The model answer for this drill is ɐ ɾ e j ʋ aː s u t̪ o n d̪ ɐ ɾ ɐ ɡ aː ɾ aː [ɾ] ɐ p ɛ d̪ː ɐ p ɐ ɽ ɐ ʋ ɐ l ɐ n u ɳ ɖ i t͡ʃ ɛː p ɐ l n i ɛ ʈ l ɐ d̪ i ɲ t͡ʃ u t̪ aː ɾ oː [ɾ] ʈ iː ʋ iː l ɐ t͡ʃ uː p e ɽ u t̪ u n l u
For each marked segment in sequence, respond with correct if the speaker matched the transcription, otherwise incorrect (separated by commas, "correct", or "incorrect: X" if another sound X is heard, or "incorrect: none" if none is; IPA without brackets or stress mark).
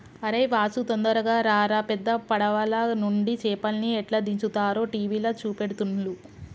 correct, incorrect: none